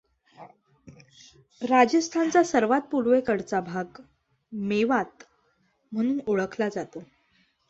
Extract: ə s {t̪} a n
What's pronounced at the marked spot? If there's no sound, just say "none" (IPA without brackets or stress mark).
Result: t̪ʰ